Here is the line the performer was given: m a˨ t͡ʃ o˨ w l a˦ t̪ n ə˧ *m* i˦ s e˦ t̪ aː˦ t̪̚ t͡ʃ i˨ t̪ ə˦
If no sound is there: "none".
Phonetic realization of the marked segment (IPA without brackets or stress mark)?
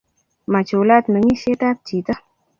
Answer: ŋ